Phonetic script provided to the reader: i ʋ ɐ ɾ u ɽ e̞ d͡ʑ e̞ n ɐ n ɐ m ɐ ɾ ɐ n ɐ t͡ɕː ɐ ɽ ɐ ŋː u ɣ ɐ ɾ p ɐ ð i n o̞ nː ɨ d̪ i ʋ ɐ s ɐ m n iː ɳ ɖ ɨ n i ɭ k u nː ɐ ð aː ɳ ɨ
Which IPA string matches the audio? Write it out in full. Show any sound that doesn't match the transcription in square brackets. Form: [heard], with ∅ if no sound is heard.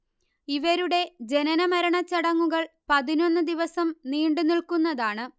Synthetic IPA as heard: i ʋ ɐ ɾ u ɽ e̞ d͡ʑ e̞ n ɐ n ɐ m ɐ ɾ ɐ [ɳ] ɐ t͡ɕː ɐ ɽ ɐ ŋː u ɣ ɐ [ɭ] p ɐ ð i n o̞ nː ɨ d̪ i ʋ ɐ s ɐ m n iː ɳ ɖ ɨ n i ɭ k u nː ɐ ð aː ɳ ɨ